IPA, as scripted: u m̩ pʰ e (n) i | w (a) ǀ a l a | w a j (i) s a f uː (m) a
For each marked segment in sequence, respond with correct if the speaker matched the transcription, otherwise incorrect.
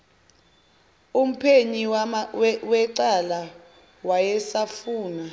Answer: incorrect: ɲ, incorrect: ɛ, incorrect: ɛ, incorrect: n

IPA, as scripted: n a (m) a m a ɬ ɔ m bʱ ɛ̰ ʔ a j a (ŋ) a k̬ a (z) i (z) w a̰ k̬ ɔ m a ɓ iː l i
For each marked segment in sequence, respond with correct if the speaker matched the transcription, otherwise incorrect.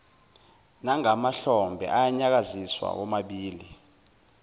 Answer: incorrect: ŋ, incorrect: ɲ, correct, incorrect: s

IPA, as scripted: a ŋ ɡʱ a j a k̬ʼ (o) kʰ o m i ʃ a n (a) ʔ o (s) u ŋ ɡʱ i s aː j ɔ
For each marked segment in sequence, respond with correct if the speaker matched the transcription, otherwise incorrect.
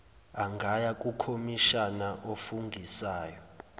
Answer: incorrect: u, correct, incorrect: f

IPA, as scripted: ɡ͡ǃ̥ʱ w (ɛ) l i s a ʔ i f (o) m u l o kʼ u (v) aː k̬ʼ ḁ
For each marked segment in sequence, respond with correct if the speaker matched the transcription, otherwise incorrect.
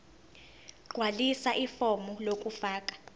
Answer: incorrect: a, incorrect: ɔ, incorrect: f

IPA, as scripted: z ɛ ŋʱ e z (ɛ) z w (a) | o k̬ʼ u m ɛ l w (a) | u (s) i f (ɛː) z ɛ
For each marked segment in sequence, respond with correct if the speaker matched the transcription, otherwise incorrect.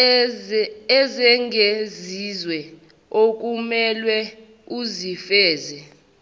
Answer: incorrect: i, incorrect: ɛ, incorrect: ɛ, incorrect: z, correct

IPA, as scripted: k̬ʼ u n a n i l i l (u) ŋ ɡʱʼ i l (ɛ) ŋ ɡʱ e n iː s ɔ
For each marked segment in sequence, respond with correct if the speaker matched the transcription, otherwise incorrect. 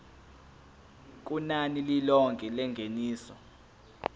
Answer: incorrect: ɔ, correct

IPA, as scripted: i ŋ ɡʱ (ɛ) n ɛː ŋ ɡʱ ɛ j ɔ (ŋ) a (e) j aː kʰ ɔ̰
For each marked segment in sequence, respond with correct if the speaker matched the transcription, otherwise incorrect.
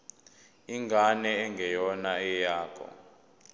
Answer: incorrect: a, incorrect: n, incorrect: ɛ

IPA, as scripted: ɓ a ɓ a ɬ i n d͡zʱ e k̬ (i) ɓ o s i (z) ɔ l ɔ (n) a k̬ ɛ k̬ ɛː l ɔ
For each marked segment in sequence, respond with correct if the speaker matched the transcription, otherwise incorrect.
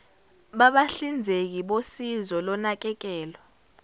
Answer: correct, correct, correct

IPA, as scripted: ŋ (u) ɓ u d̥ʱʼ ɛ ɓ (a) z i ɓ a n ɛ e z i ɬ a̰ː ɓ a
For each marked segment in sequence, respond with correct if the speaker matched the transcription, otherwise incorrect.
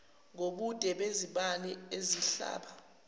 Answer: incorrect: o, incorrect: e

